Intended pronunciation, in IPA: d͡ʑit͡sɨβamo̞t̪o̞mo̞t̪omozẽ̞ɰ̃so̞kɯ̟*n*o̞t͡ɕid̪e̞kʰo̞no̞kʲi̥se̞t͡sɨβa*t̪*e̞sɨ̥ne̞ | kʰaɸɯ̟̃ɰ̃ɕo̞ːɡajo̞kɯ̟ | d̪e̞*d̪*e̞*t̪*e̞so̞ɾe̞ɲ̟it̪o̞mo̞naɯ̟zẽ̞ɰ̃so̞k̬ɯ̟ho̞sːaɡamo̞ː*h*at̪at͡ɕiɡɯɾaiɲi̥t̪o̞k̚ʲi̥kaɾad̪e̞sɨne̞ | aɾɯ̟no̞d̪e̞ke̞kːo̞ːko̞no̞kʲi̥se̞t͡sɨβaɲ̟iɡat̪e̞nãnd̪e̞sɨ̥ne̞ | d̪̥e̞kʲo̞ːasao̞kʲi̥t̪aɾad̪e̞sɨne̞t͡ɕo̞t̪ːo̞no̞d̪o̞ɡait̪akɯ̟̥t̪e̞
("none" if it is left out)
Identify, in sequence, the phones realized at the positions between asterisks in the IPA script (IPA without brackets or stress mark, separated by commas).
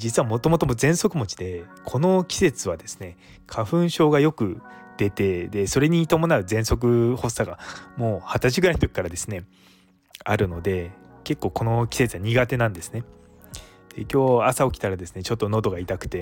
m, d̪, t̪, d̪, h